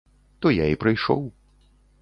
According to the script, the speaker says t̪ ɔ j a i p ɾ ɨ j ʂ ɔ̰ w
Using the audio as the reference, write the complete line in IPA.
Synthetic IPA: t̪ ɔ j a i p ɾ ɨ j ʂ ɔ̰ w